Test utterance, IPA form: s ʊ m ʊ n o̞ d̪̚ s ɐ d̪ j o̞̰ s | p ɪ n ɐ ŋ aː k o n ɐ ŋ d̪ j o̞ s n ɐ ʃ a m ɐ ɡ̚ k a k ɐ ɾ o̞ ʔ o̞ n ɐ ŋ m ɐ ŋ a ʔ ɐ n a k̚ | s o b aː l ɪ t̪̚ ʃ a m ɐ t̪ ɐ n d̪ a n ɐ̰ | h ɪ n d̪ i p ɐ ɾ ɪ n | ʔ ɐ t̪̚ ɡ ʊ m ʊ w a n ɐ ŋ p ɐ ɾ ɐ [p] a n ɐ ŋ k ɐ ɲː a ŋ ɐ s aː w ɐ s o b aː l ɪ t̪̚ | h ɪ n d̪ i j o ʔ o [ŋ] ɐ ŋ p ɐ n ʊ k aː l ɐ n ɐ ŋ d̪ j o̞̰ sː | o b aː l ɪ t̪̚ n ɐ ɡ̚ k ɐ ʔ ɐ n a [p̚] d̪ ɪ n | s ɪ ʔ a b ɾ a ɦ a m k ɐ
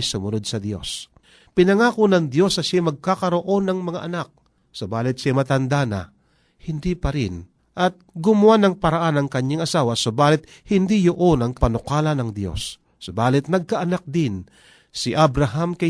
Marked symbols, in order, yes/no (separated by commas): no, no, no